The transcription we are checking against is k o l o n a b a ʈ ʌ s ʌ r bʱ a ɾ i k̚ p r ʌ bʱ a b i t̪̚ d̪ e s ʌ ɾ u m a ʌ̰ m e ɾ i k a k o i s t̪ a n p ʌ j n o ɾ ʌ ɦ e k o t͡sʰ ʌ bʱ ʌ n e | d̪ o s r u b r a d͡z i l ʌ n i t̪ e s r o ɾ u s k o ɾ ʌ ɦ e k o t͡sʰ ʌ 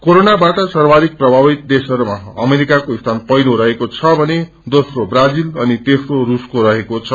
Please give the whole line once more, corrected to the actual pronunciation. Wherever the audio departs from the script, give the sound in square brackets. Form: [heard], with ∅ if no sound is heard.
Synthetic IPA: k o [ɾ] o n a b a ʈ ʌ s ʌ r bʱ a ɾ i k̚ p r ʌ bʱ a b i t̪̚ d̪ e s ʌ ɾ u m a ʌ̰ m e ɾ i k a k o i s [t̪ʰ] a n p ʌ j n o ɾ ʌ ɦ e k o t͡sʰ ʌ bʱ ʌ n e | d̪ o s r [o] b r a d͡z i l ʌ n i t̪ e s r o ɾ u s k o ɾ ʌ ɦ e k o t͡sʰ ʌ